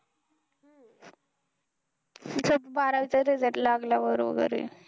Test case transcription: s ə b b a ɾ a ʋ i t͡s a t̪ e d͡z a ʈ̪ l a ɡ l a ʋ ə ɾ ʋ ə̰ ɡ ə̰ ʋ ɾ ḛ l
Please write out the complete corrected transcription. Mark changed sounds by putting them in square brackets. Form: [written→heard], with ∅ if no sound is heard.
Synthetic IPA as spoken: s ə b b a ɾ a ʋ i t͡s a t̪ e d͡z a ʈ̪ l a ɡ l a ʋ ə ɾ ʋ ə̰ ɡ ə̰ [ʋ→∅] ɾ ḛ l